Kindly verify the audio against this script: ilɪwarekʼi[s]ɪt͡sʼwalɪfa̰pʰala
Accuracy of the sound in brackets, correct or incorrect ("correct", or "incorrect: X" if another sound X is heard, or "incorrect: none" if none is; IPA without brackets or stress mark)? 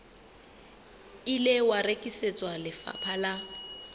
correct